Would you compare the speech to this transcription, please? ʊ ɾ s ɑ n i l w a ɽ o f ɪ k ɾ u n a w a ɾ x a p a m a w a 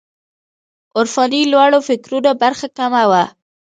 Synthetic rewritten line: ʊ ɾ f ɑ n i l w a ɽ o f ɪ k ɾ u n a b a ɾ x a k a m a w a